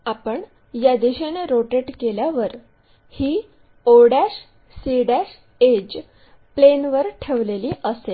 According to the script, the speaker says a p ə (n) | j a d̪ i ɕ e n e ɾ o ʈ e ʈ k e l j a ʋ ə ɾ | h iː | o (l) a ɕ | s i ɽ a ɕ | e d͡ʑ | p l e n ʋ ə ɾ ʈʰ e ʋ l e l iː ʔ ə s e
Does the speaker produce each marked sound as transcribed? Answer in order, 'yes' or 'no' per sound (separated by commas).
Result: no, no